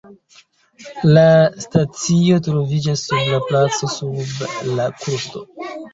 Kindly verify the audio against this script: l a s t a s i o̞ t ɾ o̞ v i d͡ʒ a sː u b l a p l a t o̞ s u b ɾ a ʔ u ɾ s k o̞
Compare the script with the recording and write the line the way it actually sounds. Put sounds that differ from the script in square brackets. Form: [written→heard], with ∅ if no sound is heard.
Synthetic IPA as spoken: l a s t a [s→t͡s] i o̞ t ɾ o̞ v i d͡ʒ a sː u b l a p l a [t→t͡s] o̞ s u b [ɾ→l] a [ʔ→k] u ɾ s [k→t] o̞